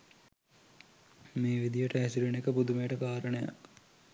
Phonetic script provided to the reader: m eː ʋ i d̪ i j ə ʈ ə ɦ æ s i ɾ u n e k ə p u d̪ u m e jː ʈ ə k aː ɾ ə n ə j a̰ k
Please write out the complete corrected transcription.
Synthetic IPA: m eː ʋ i d̪ i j ə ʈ ə ɦ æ s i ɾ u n e k ə p u d̪ u m e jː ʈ ə k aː ɾ ə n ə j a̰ k